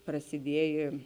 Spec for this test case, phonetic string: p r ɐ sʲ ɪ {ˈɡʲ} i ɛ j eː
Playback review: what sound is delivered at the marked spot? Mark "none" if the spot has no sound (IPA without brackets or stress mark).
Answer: dʲ